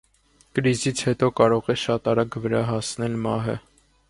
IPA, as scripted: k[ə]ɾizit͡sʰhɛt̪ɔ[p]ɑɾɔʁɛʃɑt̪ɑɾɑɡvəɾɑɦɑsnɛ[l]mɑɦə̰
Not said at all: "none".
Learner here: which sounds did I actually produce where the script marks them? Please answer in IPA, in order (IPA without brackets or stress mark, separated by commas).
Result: ə, k, l